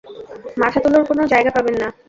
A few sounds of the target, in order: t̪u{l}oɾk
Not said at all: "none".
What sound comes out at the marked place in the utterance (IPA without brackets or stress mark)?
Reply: l